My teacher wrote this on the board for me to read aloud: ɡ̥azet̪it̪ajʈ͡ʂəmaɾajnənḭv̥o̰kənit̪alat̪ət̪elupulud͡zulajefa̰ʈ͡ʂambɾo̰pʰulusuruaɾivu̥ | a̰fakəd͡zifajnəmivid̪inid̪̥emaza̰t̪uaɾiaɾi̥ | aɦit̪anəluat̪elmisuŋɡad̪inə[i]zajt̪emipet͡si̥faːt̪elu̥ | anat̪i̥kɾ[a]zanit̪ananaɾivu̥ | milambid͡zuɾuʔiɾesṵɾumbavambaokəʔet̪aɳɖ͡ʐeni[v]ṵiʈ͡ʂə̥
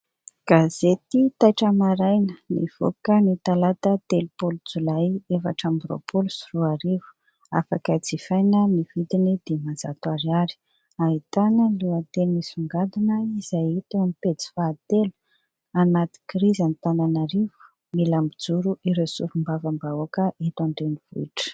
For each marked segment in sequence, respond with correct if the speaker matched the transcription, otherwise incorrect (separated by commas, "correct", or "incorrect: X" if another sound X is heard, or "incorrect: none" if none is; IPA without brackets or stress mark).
correct, incorrect: i, correct